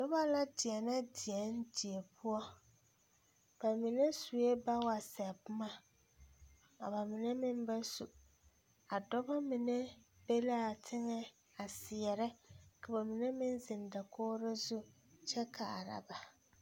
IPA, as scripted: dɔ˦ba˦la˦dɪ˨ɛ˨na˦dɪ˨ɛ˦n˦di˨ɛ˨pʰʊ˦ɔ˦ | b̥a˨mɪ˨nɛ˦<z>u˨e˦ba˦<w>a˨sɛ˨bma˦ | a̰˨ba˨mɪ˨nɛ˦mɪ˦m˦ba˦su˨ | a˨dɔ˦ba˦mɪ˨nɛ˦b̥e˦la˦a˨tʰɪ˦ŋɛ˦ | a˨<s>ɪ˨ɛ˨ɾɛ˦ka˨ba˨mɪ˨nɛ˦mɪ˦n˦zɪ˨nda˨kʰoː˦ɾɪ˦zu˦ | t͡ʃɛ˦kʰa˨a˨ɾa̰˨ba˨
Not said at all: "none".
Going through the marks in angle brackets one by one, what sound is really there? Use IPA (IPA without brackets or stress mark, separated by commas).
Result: s, w, s